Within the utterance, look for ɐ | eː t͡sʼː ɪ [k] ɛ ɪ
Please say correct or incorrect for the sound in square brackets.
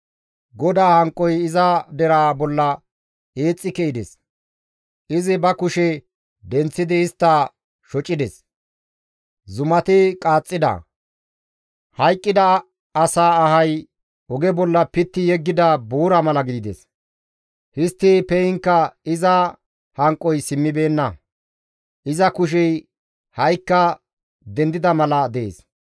correct